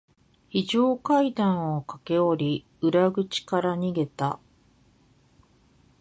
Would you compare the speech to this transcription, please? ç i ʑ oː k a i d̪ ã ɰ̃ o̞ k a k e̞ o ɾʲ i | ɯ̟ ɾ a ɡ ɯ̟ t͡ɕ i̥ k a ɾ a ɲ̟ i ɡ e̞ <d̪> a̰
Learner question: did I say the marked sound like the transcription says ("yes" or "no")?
no